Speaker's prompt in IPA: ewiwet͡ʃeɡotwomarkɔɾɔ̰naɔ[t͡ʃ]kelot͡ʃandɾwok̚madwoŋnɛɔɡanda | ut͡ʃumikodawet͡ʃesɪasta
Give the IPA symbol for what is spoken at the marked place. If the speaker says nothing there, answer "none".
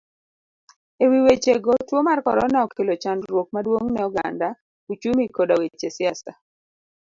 none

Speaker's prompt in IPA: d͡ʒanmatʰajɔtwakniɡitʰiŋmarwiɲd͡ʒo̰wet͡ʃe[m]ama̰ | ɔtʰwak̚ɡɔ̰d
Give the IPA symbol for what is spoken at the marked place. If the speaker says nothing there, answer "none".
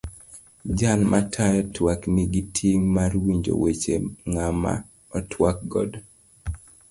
ŋ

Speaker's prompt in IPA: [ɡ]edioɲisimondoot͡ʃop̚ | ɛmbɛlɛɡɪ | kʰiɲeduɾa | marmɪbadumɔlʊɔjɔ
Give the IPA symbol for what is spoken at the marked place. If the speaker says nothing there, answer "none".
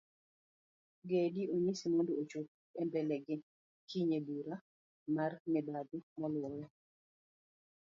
ɡ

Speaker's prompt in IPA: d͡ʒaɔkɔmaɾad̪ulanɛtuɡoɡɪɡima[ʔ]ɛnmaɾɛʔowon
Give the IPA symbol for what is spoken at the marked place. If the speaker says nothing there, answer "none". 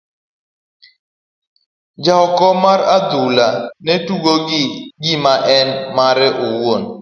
ʔ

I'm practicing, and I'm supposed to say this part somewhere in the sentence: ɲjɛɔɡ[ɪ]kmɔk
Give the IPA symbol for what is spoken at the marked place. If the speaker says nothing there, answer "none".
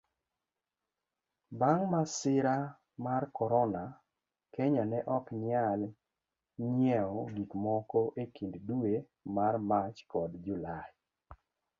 i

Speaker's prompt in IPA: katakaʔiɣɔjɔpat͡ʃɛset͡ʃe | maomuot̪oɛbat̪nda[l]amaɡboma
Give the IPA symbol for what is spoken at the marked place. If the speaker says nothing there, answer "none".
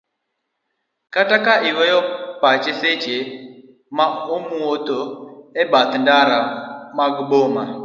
ɾ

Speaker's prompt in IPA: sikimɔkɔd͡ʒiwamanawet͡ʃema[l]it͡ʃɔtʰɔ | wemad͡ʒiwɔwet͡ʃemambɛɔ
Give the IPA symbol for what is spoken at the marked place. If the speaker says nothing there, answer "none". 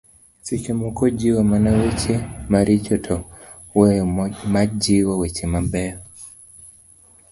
ɾ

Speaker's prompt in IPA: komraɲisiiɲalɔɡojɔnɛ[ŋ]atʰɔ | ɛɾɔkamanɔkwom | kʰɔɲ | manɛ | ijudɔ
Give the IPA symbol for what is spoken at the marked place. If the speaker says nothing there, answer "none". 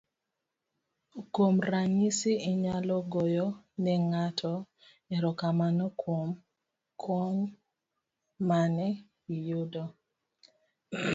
ŋ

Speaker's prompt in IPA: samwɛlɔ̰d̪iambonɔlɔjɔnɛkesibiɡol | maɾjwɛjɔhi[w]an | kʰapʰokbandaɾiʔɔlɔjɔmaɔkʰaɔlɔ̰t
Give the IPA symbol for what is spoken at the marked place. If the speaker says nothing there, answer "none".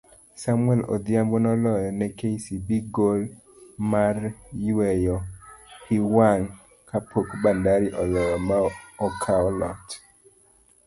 w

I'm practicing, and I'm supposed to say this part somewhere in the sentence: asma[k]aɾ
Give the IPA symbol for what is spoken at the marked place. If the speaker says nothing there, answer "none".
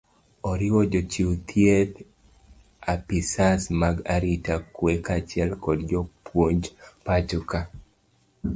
ɡ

